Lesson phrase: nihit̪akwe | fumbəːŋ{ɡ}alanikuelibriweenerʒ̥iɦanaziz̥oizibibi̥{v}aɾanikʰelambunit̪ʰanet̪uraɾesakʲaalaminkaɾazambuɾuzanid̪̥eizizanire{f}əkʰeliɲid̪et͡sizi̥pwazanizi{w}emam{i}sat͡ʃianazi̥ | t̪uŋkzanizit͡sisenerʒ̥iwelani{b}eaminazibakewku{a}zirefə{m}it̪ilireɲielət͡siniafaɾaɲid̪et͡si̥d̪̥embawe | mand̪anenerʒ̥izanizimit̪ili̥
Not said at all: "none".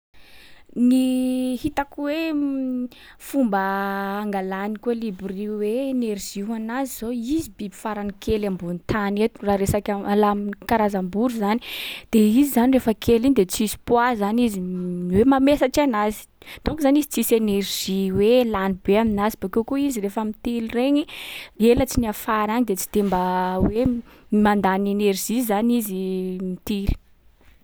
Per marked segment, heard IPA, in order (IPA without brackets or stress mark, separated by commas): ɡ, f, f, w, e, b, i, m